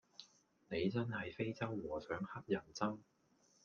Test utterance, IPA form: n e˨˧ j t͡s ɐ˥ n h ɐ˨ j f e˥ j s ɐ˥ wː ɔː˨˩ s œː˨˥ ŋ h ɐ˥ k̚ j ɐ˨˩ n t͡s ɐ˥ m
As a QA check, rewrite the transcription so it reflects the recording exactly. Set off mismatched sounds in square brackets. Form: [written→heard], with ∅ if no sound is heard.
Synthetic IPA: n e˨˧ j t͡s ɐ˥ n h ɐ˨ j f e˥ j [s→t͡s] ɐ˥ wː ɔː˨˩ s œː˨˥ ŋ h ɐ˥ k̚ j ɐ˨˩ n t͡s ɐ˥ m